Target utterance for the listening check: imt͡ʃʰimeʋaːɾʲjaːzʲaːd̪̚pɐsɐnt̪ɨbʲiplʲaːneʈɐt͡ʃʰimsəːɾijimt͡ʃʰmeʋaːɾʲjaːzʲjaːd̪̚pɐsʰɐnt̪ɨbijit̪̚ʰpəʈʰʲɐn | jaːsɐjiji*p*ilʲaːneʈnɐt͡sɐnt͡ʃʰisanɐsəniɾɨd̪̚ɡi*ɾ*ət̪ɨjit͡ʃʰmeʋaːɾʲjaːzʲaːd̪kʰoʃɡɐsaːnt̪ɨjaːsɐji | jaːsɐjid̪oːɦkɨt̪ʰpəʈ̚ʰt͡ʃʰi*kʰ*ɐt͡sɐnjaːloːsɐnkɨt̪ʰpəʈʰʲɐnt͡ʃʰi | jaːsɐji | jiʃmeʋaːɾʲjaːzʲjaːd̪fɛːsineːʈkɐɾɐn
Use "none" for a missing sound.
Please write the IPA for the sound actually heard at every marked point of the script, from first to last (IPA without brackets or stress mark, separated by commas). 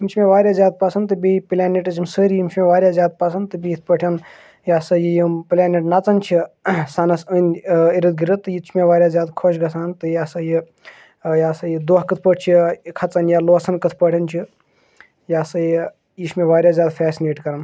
p, ɾ, kʰ